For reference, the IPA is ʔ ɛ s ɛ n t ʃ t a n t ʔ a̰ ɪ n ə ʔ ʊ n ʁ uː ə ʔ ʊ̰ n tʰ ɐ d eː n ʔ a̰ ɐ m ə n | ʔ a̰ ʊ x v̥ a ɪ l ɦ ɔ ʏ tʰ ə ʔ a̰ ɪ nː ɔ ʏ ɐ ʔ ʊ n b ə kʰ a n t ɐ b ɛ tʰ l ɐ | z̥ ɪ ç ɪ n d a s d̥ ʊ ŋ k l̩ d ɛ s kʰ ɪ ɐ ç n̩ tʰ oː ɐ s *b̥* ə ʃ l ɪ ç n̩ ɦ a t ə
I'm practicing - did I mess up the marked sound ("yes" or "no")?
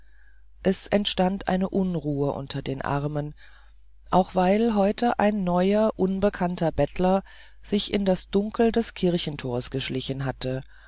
yes